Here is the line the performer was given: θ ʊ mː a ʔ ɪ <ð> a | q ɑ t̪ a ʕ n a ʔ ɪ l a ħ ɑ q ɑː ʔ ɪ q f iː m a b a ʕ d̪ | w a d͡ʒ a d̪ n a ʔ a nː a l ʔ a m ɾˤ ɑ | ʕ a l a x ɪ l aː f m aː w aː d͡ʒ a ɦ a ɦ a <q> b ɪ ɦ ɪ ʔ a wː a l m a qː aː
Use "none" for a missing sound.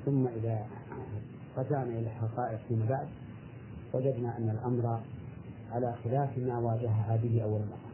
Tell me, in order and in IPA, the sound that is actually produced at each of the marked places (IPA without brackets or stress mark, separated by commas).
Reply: ð, none